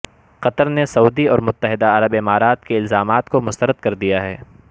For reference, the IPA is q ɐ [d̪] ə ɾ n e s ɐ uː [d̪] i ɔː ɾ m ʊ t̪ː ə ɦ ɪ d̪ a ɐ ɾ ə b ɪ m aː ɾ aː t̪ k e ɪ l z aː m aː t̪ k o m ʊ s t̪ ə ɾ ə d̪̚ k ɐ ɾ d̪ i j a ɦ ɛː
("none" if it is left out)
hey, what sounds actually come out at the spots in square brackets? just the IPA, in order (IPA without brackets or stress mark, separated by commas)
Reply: t̪, d̪